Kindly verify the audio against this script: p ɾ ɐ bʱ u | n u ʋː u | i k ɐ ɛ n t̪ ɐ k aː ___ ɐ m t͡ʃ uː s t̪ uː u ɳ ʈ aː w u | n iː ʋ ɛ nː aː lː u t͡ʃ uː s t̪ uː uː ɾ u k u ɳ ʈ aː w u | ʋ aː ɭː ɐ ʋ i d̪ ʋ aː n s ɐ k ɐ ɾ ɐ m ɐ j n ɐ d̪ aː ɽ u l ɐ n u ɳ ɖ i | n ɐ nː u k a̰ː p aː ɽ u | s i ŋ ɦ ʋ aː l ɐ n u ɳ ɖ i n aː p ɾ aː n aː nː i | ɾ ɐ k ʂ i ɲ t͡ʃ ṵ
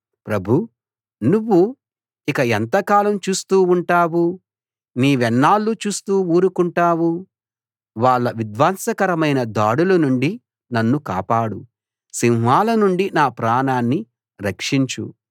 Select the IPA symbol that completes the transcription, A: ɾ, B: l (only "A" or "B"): B